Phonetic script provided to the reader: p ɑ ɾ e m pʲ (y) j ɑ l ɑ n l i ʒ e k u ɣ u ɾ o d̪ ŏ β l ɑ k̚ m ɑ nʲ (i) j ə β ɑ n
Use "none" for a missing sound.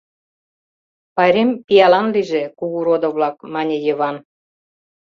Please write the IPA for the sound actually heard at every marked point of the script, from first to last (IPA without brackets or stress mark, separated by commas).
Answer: i, e